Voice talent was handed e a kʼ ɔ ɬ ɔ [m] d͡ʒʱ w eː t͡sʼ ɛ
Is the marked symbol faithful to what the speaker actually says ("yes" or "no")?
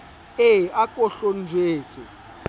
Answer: no